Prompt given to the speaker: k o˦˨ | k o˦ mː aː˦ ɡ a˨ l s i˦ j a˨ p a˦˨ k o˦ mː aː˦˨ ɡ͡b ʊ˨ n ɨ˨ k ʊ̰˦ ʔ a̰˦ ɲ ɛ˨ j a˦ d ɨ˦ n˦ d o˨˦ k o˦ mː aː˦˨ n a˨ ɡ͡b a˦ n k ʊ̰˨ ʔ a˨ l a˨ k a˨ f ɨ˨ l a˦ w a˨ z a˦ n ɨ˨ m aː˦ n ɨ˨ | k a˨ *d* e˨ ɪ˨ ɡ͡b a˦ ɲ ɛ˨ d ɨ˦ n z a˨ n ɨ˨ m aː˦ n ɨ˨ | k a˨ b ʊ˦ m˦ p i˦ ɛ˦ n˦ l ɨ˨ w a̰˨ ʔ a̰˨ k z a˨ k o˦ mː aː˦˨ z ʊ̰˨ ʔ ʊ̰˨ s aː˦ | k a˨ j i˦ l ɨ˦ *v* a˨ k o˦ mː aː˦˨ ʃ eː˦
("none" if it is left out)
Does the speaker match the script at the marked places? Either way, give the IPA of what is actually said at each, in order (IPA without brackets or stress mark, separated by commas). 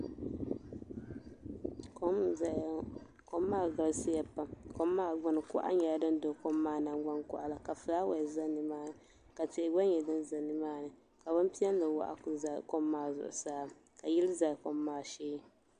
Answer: t, z